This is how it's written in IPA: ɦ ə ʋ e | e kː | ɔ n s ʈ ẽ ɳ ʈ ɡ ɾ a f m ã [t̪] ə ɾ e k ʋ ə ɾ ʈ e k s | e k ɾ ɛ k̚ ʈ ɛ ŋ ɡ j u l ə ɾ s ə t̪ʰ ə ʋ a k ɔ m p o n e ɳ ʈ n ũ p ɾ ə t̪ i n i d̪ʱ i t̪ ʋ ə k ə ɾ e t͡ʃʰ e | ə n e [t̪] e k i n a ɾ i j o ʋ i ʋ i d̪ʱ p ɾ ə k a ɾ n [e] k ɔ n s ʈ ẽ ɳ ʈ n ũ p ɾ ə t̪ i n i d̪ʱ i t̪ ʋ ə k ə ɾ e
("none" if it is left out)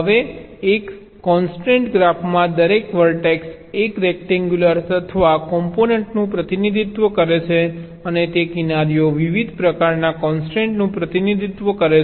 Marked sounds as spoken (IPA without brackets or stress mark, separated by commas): d̪, t̪, a